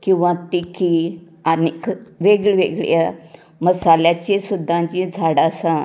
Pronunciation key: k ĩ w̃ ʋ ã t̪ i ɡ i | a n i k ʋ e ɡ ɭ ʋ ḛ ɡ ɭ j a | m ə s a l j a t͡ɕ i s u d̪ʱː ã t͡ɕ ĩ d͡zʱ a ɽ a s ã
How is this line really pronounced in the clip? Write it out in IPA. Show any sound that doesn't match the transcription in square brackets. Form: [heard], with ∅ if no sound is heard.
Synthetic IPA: k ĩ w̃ ʋ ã t̪ i [k] i | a n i k ʋ e ɡ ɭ ʋ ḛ ɡ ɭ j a | m ə s a l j a t͡ɕ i s u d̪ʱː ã t͡ɕ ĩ d͡zʱ a ɽ a s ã

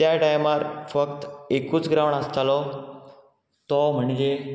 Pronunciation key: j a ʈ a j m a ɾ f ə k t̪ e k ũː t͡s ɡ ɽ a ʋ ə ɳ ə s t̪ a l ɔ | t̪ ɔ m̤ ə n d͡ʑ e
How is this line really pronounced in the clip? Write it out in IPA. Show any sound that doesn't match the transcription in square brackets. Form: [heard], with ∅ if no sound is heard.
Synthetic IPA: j a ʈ a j m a ɾ f ə k t̪ e k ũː t͡s ɡ [ɾ] a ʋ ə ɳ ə s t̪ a l ɔ | t̪ ɔ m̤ ə [ɳ] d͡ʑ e

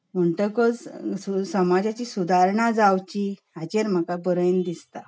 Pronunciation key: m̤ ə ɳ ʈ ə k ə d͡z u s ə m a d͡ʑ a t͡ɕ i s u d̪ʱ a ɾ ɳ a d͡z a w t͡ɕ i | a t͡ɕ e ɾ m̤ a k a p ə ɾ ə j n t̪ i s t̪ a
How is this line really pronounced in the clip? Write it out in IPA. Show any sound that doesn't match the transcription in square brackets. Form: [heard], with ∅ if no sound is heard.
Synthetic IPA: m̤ ə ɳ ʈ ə k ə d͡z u s ə m a d͡ʑ a t͡ɕ i s u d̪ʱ a ɾ ɳ a d͡z a w t͡ɕ i | a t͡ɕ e ɾ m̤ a k a [b] ə ɾ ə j n [d̪] i s t̪ a

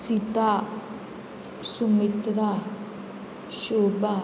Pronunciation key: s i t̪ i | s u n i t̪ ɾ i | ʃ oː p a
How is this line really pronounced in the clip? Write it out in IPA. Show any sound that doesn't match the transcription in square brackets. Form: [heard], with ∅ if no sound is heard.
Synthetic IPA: s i t̪ [a] | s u [m] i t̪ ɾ [a] | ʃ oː [b] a

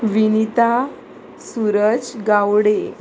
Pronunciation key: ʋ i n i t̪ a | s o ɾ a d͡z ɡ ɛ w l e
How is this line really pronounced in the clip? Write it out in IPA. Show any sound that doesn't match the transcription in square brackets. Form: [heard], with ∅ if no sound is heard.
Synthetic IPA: ʋ i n i t̪ a | s [u] ɾ [ə] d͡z ɡ [a] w [ɽ] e

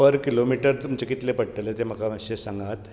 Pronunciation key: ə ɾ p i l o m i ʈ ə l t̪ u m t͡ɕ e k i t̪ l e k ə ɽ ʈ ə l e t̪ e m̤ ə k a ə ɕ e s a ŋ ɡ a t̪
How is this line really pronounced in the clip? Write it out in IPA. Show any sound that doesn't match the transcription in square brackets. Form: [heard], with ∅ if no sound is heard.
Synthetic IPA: ə ɾ [k] i l o m i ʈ ə [ɾ] t̪ u m t͡ɕ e k i t̪ l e [p] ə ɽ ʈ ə l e t̪ e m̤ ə k a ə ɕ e s a ŋ ɡ a t̪

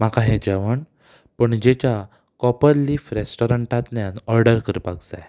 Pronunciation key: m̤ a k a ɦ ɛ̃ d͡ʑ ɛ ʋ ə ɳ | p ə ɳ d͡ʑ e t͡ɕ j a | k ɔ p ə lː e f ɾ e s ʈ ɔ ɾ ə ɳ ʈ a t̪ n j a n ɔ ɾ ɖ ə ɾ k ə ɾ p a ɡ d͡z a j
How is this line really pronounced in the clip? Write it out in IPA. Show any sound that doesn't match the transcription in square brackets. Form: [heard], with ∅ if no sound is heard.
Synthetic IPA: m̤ a k a ɦ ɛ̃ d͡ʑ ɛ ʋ ə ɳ | p ə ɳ d͡ʑ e t͡ɕ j a | k ɔ p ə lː [i] f ɾ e s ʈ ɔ ɾ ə ɳ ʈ a t̪ n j a n ɔ ɾ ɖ ə ɾ k ə ɾ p a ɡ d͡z a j

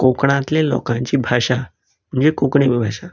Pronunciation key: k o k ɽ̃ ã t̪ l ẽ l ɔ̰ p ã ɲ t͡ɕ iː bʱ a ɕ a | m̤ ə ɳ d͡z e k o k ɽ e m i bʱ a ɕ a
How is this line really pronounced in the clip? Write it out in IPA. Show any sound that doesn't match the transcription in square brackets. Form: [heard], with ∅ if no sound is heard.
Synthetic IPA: k o k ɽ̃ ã t̪ l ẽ l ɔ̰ [k] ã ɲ t͡ɕ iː bʱ a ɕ a | m̤ ə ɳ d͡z e k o k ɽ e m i bʱ a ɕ a

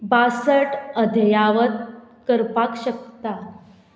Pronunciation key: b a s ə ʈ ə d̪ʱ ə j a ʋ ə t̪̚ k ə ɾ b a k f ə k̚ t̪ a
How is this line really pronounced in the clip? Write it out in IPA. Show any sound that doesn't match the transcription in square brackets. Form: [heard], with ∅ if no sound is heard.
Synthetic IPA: b a s ə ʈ ə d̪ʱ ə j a ʋ ə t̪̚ k ə ɾ [p] a k [ɕ] ə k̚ t̪ a

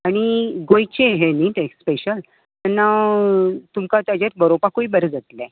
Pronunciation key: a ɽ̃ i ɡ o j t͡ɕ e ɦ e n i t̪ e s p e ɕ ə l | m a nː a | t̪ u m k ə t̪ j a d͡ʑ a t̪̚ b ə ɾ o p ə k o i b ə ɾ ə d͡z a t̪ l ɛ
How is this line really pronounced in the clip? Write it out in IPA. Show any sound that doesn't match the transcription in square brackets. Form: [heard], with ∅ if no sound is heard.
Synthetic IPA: a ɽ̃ i ɡ o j t͡ɕ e ɦ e n i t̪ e s p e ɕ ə l | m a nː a | t̪ u m k [a] t̪ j a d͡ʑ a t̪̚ b ə ɾ o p [a] k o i b ə ɾ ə d͡z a t̪ l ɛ

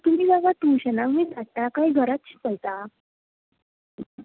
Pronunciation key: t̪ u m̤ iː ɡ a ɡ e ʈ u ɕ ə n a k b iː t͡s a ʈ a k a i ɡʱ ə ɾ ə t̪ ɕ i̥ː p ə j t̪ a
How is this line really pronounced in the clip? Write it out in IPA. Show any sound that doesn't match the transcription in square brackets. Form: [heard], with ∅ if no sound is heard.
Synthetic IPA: t̪ u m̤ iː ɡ a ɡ [a] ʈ u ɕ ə n a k [m] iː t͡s a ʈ a k a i ɡʱ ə ɾ [a] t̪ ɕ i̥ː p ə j t̪ a

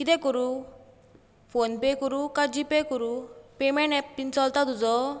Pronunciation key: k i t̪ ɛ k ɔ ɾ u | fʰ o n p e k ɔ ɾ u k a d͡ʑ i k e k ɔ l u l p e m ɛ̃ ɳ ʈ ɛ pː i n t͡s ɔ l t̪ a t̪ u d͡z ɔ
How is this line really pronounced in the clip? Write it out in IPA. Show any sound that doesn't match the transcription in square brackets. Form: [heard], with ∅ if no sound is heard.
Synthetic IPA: k i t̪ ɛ k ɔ ɾ u | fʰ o n p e k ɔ ɾ u k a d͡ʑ i [p] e k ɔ [ɾ] u [∅] p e m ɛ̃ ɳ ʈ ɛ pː i n t͡s ɔ l t̪ a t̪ u d͡z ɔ

